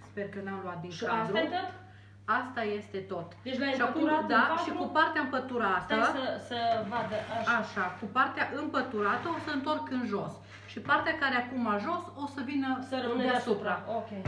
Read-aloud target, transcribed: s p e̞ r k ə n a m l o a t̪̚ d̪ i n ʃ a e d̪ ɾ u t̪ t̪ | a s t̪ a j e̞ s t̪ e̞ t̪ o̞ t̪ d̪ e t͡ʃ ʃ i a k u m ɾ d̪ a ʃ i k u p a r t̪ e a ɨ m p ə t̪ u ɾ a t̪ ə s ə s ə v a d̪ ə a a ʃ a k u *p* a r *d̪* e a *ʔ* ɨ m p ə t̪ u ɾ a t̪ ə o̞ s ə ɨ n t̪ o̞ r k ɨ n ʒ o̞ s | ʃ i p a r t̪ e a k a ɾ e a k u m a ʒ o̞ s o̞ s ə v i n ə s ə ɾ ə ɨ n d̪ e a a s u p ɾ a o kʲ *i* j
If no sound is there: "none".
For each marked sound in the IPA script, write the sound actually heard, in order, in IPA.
p, t̪, ʔ, e

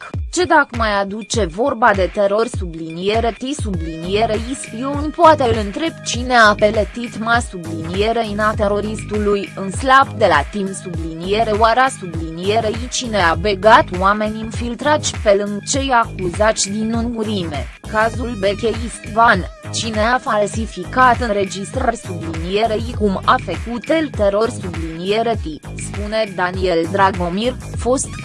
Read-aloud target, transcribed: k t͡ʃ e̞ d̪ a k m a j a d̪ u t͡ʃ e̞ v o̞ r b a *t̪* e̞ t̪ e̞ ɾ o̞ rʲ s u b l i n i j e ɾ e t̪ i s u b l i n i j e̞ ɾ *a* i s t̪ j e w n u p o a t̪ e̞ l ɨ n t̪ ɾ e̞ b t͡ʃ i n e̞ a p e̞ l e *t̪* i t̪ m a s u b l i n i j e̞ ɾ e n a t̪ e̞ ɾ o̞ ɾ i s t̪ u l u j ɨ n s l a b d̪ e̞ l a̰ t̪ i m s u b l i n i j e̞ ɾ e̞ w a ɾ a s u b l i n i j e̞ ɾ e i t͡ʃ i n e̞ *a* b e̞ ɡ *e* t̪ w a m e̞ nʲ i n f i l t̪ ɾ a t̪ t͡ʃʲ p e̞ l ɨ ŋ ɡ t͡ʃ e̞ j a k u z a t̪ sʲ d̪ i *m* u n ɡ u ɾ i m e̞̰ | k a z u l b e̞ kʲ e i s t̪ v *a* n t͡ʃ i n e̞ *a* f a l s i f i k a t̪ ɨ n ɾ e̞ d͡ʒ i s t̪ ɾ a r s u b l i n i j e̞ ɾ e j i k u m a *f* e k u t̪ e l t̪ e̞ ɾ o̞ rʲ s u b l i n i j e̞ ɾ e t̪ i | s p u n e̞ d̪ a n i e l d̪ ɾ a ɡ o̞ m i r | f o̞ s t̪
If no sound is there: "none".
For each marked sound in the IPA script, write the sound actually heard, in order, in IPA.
d̪, e, t̪, a, a, n, a, a, f

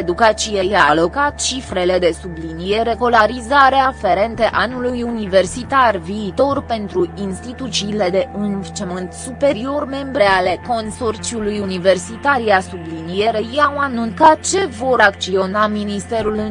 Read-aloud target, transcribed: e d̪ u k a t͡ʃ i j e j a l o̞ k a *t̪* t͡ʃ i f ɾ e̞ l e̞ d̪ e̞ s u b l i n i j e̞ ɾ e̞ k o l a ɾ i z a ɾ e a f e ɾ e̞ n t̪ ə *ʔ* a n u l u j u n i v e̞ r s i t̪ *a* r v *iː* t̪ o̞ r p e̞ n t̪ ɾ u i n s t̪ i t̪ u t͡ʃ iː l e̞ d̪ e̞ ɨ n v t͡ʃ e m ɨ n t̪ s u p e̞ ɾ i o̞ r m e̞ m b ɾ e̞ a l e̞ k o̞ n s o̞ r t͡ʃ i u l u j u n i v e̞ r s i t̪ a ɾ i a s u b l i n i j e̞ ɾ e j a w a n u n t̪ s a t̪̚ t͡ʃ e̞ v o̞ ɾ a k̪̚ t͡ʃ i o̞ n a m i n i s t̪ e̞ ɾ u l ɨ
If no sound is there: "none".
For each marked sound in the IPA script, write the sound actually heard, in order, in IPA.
t̪, ʔ, a, iː

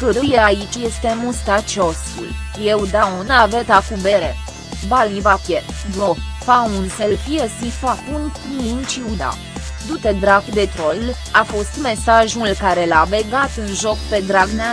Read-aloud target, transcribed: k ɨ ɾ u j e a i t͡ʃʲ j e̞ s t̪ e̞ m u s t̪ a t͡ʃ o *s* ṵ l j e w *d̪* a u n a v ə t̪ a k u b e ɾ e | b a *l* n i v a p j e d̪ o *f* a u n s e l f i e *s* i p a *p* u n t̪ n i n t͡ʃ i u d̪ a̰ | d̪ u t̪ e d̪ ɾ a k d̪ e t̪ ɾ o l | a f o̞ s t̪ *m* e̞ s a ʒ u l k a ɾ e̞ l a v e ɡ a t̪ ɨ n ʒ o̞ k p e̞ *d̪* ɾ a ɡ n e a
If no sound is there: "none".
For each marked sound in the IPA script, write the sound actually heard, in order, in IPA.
s, d̪, l, f, s, p, m, d̪

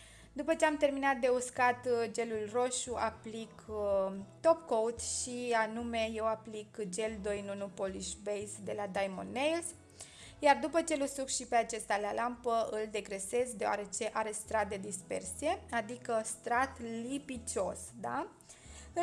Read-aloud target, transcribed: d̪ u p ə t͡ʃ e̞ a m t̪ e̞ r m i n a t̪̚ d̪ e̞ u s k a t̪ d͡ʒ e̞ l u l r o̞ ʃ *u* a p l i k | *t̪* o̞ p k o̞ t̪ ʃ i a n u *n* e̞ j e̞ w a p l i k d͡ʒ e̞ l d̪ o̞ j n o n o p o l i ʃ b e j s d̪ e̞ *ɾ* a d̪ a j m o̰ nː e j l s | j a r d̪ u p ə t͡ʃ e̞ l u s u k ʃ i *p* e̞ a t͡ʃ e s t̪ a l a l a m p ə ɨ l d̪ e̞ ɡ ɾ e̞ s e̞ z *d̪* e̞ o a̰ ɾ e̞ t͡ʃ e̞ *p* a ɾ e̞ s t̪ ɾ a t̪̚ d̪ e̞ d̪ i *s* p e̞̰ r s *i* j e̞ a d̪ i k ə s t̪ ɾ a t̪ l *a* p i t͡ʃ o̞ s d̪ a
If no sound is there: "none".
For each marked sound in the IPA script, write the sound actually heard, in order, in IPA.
u, t̪, m, l, p, d̪, ʔ, s, i, i

